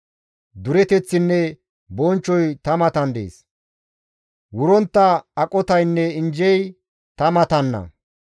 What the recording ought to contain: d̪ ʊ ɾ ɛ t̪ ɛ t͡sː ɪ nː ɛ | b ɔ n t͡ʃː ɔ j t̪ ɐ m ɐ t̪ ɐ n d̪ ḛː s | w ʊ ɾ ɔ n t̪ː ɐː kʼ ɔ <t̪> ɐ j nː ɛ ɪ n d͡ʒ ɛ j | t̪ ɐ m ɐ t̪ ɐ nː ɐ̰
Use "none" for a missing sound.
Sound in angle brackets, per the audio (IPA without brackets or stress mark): t̪